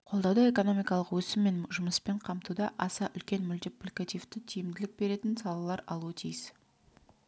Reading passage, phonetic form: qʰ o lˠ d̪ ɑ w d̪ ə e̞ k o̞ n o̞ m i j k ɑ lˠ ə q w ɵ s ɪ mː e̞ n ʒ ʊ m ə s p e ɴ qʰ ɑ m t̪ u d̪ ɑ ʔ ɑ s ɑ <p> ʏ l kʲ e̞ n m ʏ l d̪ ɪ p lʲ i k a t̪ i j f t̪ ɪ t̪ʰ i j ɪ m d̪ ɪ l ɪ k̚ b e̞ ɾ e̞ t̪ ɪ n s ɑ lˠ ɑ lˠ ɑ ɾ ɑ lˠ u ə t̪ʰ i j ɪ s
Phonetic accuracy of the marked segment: incorrect: ʔ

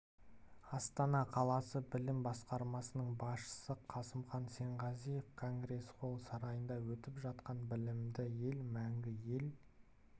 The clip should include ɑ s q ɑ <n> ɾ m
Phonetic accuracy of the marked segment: incorrect: none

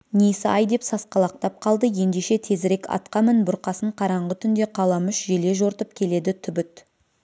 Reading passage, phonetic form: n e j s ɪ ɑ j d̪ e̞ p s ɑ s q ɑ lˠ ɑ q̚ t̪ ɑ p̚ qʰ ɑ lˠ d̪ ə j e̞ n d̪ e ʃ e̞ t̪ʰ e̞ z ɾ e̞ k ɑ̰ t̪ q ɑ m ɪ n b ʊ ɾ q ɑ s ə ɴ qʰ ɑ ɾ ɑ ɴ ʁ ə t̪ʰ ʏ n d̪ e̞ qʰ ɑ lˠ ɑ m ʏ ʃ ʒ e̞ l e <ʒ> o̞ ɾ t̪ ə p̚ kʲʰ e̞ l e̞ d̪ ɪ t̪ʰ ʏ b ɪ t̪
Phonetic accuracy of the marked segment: correct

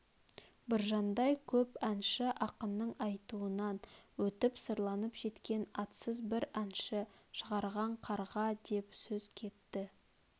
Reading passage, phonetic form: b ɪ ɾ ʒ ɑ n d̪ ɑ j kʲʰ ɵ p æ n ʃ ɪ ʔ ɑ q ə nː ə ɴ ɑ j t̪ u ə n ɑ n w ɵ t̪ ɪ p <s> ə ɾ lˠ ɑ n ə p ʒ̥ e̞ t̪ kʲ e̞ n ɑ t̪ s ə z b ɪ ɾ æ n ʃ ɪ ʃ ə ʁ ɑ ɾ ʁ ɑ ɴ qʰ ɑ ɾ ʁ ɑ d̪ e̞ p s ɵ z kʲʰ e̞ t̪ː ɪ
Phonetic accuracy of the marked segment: correct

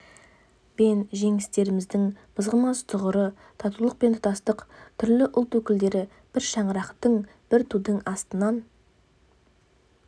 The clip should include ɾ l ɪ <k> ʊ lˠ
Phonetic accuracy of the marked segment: incorrect: ʔ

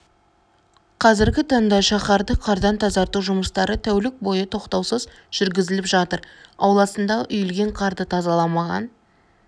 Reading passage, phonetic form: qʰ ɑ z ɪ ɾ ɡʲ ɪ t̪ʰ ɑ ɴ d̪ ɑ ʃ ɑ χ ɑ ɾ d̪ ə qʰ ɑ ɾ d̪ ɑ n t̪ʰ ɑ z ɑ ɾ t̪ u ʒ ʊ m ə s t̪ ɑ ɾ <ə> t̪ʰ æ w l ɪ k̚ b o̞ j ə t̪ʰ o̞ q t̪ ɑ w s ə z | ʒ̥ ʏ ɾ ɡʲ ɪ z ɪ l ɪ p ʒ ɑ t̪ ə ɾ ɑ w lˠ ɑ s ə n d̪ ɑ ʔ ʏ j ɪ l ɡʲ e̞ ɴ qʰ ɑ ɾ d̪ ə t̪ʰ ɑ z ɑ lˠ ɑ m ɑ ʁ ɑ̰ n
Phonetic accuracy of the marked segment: correct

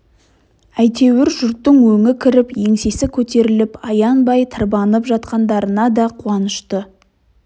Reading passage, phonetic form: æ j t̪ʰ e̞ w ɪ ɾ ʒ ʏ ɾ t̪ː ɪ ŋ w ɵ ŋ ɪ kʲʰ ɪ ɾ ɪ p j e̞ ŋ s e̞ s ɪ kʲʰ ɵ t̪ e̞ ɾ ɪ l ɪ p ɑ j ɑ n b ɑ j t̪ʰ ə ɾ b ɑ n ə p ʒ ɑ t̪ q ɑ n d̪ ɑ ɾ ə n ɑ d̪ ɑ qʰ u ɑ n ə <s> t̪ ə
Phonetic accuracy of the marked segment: incorrect: ʃ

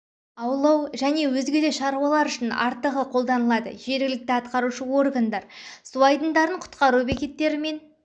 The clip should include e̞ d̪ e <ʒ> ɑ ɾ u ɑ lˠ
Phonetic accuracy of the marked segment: incorrect: ʃ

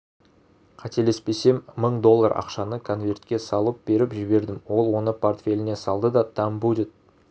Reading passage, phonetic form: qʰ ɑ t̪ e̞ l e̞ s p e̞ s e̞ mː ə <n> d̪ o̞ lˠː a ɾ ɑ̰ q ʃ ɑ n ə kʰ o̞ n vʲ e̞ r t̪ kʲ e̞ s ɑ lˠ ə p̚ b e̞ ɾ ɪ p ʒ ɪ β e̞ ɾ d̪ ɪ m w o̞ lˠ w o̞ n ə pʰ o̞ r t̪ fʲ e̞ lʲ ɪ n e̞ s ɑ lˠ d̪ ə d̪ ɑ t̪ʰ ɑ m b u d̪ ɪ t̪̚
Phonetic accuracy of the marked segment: incorrect: ɴ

